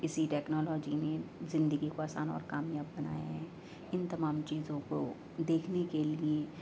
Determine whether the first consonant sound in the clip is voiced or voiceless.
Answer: voiceless